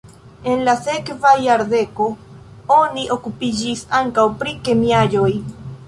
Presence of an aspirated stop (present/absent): absent